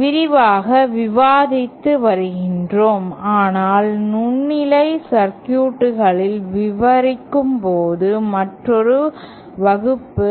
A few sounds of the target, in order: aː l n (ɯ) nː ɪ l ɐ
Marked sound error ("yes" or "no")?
yes